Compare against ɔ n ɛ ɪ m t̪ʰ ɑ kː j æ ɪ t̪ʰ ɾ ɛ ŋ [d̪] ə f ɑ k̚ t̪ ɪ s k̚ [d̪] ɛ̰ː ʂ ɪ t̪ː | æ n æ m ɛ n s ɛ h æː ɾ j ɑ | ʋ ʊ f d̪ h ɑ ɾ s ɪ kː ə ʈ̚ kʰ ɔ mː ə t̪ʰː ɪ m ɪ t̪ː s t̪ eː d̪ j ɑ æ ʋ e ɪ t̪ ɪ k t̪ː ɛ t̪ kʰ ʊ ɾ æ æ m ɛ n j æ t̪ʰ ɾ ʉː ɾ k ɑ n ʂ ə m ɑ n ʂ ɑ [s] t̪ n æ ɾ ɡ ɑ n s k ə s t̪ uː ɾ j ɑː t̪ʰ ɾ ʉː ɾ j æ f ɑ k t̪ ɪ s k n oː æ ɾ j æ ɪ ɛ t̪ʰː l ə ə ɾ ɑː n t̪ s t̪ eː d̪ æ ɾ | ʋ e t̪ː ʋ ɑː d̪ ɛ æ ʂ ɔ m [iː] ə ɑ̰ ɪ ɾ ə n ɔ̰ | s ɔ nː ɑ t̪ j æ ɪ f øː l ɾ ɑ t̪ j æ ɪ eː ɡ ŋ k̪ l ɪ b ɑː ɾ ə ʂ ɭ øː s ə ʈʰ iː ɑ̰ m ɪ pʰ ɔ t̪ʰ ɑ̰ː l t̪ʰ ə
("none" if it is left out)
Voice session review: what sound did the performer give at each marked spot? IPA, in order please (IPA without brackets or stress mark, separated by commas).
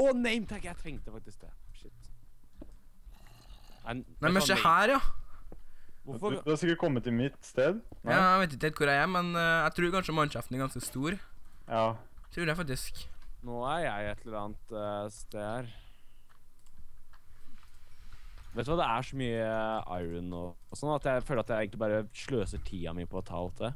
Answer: t̪, d̪, f, yː